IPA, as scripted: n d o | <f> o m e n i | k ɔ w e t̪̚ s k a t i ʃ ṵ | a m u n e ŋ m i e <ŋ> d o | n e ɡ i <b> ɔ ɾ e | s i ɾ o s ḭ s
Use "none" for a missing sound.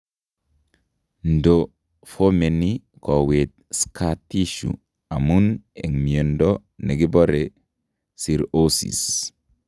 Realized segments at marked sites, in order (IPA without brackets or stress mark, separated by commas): f, n, b